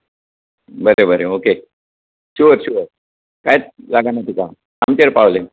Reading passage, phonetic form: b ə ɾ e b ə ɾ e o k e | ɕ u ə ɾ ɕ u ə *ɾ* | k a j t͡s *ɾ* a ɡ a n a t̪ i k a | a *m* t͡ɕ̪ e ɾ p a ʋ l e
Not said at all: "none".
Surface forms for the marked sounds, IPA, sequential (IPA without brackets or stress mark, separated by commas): ɾ, l, m